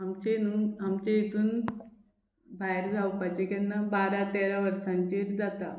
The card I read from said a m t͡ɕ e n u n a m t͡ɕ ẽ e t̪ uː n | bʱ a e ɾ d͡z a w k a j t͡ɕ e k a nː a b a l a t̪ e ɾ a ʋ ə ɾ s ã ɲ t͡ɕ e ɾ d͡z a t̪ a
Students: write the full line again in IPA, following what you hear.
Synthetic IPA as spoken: a m t͡ɕ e n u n a m t͡ɕ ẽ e t̪ uː n | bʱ a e ɾ d͡z a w p a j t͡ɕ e k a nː a b a ɾ a t̪ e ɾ a ʋ ə ɾ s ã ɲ t͡ɕ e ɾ d͡z a t̪ a